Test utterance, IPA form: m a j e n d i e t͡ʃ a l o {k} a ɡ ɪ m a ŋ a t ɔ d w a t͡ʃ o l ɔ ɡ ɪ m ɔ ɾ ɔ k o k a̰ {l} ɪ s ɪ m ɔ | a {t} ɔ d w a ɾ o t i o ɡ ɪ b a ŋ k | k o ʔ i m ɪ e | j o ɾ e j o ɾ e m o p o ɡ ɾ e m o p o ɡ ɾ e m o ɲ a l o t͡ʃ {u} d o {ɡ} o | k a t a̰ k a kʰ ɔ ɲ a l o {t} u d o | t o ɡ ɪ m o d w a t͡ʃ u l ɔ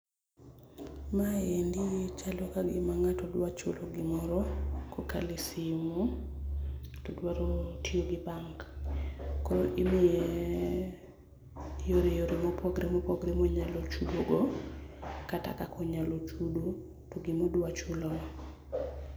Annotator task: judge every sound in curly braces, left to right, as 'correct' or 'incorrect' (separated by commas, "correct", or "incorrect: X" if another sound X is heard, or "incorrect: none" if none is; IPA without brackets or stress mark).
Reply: correct, correct, correct, correct, correct, incorrect: t͡ʃ